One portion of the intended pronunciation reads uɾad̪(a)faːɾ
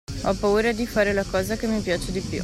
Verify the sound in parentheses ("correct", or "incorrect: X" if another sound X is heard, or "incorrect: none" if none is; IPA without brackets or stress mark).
incorrect: i